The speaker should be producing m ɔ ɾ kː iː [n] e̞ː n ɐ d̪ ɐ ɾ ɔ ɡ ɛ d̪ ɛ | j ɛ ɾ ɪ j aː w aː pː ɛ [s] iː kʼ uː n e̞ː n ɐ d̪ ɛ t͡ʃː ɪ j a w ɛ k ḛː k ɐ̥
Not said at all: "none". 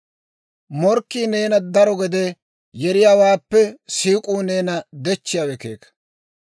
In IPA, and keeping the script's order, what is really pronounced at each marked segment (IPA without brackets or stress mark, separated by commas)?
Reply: n, s